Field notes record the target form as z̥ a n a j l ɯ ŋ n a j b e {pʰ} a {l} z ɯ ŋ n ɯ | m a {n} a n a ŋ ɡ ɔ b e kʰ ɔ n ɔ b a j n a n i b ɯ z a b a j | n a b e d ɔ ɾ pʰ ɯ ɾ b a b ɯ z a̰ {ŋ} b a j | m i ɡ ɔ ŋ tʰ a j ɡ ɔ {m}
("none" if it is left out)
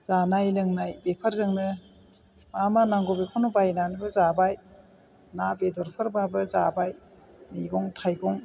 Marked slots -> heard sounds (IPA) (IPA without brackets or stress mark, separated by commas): pʰ, ɾ, m, none, ŋ